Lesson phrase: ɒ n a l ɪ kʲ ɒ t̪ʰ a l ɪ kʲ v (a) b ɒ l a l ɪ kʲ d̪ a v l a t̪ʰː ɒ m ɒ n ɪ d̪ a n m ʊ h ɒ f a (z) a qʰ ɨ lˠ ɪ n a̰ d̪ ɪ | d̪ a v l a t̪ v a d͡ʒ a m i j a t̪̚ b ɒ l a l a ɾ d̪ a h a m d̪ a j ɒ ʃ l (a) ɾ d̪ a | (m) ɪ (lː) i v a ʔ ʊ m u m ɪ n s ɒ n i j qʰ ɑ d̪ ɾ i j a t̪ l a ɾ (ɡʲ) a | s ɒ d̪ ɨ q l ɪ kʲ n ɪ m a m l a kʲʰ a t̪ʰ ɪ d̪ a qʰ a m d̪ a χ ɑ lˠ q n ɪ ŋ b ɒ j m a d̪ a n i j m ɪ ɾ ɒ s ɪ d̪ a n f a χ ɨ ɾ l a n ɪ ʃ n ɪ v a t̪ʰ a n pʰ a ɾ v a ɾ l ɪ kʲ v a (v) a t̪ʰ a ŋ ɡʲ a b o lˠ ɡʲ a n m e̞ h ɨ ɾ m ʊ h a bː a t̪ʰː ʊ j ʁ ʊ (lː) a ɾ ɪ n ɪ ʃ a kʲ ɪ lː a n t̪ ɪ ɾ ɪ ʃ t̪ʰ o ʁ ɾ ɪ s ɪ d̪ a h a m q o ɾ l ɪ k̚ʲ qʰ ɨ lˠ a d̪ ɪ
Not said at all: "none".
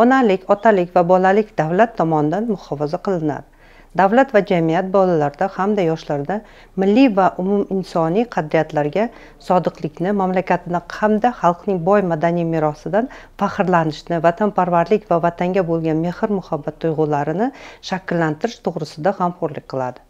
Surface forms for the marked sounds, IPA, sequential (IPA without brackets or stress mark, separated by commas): a, z, a, m, lː, ɡʲ, v, l